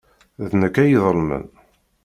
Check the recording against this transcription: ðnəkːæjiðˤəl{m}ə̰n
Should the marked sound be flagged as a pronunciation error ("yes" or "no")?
no